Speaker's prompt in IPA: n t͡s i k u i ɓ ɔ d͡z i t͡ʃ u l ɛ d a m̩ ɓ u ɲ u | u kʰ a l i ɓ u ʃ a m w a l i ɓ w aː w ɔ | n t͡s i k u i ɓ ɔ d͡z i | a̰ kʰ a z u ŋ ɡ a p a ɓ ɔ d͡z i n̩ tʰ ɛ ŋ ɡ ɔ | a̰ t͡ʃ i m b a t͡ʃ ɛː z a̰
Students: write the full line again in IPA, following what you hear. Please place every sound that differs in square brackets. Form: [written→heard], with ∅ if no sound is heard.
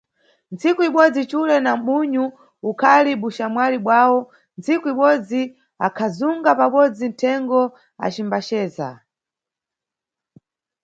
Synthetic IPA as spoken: n t͡s i k u i ɓ ɔ d͡z i t͡ʃ u l ɛ [d→n] a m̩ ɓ u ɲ u | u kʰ a l i ɓ u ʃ a m w a l i ɓ w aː w ɔ | n t͡s i k u i ɓ ɔ d͡z i | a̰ kʰ a z u ŋ ɡ a p a ɓ ɔ d͡z i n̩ tʰ ɛ ŋ ɡ ɔ | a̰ t͡ʃ i m b a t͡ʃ ɛː z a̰